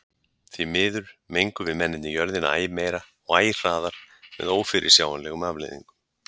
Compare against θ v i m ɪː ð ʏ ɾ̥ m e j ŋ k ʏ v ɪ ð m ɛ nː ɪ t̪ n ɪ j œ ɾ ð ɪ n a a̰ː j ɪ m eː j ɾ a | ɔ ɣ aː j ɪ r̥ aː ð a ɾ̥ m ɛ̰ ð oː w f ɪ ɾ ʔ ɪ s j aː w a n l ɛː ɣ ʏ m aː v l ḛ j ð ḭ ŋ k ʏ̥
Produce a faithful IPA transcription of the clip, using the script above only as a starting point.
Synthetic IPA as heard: θ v i m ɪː ð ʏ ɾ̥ m e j ŋ k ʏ v ɪ ð m ɛ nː ɪ t̪ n ɪ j œ ɾ ð ɪ n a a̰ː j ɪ m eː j ɾ a | ɔ ɣ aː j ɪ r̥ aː ð a ɾ̥ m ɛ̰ ð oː w f ɪ ɾ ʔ ɪ s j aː w a n l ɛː ɣ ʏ m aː v l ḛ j ð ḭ ŋ k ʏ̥